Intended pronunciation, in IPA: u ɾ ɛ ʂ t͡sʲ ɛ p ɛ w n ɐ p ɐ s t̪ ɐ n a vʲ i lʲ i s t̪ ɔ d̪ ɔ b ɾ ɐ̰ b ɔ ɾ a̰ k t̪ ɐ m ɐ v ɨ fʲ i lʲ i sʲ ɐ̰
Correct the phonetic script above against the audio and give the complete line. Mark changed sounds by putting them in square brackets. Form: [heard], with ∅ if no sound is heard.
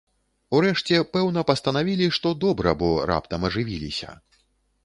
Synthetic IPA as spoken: u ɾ ɛ ʂ t͡sʲ ɛ p ɛ w n ɐ p ɐ s t̪ ɐ n a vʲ i lʲ i [ʂ] t̪ ɔ d̪ ɔ b ɾ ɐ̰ b ɔ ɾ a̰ [p] t̪ ɐ m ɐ [ʐ] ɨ [vʲ] i lʲ i sʲ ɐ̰